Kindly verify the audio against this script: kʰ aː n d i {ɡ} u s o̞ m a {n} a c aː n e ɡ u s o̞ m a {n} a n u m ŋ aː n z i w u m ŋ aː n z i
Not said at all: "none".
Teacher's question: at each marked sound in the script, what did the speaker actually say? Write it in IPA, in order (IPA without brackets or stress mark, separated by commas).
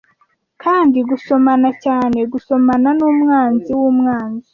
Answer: ɡ, n, n